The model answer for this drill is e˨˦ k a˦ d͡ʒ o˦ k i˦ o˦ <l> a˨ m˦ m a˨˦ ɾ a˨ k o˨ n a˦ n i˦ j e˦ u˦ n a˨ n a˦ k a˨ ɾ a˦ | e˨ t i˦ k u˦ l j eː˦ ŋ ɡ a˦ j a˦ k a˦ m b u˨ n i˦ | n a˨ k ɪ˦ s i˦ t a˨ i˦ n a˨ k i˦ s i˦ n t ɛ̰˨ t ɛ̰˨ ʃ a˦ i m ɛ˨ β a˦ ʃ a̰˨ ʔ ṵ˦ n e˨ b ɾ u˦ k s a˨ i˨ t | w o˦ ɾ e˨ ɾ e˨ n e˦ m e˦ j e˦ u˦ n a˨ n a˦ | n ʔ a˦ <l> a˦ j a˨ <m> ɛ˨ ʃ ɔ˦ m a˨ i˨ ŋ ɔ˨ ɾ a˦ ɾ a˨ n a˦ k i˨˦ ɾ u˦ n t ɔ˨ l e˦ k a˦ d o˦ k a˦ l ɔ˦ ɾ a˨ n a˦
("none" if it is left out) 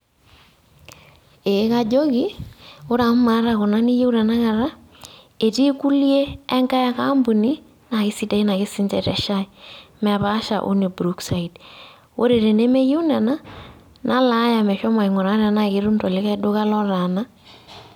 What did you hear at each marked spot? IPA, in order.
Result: ɾ, l, m

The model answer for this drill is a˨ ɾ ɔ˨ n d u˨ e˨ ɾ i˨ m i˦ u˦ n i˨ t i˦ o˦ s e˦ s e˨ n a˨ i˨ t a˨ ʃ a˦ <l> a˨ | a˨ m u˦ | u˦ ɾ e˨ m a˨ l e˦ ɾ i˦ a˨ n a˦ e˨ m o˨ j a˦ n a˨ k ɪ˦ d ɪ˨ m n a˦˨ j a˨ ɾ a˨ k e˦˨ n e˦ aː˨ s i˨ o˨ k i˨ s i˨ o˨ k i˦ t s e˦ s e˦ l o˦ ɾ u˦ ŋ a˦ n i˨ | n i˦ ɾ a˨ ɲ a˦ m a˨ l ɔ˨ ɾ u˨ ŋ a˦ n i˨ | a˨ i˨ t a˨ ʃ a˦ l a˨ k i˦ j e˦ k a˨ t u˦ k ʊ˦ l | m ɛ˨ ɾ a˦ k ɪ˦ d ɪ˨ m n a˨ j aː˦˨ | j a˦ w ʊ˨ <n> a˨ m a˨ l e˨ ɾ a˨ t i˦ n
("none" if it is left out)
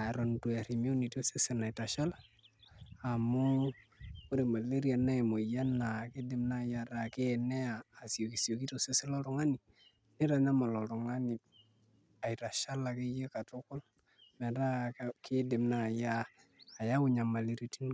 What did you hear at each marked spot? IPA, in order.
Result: l, ɲ

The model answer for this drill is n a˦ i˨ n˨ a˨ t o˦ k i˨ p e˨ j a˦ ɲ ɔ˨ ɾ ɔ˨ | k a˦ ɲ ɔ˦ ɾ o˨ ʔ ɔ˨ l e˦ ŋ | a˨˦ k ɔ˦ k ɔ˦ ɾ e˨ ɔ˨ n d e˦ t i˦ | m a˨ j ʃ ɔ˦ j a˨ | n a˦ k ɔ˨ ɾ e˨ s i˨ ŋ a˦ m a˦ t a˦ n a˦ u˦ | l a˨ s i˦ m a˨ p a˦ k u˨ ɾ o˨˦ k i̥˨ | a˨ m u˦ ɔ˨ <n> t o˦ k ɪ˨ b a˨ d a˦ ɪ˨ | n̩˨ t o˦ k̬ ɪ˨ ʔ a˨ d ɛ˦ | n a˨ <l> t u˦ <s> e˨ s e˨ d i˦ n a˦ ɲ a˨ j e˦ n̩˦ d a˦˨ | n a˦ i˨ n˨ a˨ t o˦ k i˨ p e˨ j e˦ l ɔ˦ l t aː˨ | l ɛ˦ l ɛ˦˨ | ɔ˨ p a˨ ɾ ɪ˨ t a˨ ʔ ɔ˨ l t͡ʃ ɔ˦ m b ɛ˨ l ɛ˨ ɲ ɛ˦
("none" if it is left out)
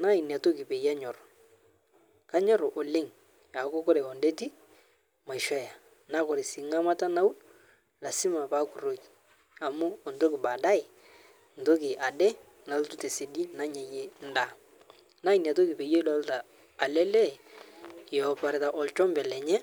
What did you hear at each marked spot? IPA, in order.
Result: n, l, t

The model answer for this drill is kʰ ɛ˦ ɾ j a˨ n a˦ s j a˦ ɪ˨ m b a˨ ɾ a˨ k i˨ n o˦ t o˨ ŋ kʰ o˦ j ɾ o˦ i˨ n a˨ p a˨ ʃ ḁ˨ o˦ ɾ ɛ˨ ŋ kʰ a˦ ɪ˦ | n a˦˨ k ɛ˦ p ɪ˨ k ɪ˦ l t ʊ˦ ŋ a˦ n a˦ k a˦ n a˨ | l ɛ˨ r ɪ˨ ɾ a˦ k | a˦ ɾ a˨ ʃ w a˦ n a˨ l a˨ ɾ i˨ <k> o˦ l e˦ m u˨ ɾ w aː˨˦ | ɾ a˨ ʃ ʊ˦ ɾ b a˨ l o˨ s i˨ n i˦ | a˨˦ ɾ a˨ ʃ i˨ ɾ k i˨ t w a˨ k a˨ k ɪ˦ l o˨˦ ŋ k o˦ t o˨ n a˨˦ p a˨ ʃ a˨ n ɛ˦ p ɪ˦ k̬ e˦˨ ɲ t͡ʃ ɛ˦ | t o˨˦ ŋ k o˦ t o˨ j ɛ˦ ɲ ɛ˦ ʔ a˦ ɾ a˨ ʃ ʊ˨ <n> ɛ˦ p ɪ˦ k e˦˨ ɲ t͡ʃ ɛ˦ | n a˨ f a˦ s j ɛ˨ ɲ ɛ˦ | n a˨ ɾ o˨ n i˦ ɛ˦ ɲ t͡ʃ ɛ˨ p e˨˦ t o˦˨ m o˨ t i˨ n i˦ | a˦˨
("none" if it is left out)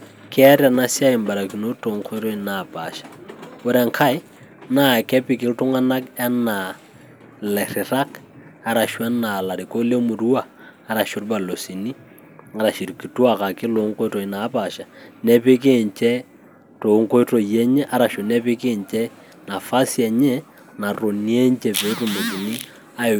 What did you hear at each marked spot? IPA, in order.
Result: k, n

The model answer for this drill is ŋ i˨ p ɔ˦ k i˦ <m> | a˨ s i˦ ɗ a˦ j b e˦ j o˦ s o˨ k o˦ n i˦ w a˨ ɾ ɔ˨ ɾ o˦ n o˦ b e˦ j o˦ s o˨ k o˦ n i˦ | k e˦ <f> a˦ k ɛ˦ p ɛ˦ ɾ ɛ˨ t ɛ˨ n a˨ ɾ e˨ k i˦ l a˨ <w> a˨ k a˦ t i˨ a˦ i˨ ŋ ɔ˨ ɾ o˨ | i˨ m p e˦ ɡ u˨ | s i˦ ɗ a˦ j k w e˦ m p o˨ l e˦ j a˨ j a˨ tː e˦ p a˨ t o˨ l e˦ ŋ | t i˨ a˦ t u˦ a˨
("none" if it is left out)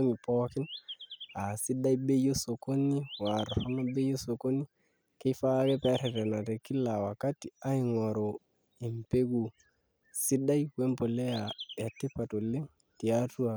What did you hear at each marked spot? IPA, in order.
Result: n, f, w

